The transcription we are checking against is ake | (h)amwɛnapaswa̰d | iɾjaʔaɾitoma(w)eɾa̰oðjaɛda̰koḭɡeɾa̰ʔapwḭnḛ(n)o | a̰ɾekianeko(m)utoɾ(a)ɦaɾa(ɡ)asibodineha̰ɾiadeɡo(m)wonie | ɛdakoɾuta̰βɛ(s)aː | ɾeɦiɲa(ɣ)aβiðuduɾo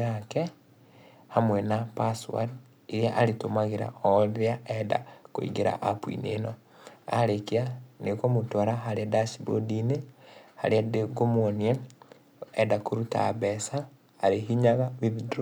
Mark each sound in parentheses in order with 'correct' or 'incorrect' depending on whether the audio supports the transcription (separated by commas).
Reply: correct, incorrect, correct, correct, correct, incorrect, correct, correct, correct